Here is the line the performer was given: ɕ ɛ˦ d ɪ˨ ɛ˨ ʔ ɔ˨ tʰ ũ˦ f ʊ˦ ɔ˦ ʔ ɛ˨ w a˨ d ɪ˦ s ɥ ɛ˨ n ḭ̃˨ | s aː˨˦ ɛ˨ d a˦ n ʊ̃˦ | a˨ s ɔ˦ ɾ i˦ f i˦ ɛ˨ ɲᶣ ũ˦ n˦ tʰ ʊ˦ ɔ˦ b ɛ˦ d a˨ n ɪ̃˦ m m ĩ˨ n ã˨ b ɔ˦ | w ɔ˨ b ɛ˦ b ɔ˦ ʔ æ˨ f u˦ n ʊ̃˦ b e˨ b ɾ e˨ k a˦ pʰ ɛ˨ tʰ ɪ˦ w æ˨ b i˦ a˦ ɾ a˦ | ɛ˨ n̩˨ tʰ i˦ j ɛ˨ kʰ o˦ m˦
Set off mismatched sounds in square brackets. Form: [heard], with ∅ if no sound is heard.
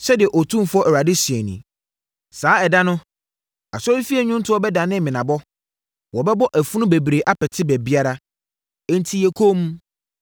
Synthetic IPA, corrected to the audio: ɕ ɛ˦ d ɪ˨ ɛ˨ ʔ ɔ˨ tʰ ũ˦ f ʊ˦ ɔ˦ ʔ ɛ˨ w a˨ d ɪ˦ s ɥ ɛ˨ n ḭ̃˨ | s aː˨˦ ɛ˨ d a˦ n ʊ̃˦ | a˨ s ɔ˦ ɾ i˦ f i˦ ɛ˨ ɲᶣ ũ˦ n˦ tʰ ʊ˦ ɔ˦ b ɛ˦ d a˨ n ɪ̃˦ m m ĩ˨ n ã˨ b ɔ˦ | w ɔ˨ b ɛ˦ b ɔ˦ ʔ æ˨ f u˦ n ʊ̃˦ b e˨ b ɾ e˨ [ʔ] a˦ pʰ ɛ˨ tʰ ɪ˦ [b] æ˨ b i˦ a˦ ɾ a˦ | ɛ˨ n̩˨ tʰ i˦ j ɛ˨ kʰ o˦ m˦